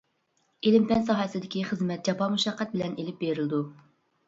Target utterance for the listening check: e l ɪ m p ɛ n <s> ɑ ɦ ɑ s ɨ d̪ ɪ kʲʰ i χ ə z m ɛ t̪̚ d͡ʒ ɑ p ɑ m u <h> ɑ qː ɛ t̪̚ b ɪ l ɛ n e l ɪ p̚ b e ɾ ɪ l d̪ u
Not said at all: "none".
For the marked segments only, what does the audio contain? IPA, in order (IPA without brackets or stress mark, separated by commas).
s, ʃ